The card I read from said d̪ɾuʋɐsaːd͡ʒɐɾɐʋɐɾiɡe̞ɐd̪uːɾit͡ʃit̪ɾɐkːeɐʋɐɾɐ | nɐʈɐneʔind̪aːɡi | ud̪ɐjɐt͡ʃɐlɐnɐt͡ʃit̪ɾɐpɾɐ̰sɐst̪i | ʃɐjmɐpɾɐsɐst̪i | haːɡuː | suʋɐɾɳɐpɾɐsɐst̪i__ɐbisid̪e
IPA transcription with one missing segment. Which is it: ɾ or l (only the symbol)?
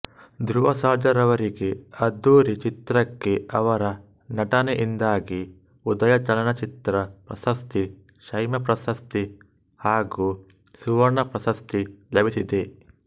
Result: l